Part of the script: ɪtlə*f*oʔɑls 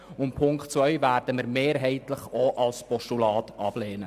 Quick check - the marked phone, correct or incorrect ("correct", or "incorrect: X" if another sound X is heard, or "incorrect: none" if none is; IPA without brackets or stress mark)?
incorrect: χ